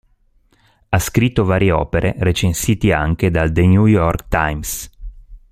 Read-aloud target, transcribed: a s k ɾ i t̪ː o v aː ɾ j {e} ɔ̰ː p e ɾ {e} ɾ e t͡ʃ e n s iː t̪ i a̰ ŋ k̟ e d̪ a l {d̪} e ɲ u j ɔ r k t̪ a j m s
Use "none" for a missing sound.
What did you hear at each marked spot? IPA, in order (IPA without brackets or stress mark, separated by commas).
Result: e, e, d̪